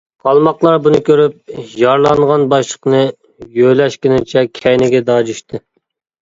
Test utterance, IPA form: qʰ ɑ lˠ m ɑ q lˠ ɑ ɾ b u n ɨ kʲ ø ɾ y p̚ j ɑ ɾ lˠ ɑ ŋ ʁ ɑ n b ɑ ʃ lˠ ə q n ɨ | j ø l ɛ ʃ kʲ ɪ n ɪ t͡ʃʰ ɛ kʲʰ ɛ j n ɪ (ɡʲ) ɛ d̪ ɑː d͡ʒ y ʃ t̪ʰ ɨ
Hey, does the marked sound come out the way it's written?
yes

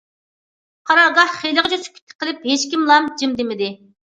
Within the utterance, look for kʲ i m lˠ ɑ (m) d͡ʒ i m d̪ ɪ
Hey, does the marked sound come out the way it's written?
yes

